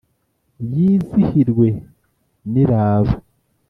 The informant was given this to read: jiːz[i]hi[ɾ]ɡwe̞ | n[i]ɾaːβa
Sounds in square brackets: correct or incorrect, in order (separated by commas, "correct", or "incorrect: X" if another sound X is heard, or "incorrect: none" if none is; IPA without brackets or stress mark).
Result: correct, correct, correct